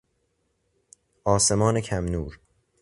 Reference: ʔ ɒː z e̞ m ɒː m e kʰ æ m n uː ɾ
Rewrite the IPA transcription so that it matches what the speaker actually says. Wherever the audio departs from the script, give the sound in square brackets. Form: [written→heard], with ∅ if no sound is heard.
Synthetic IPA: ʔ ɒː [z→s] e̞ m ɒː [m→n] e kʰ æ m n uː ɾ